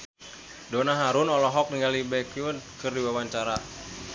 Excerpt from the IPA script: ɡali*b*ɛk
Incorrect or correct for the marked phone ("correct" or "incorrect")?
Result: correct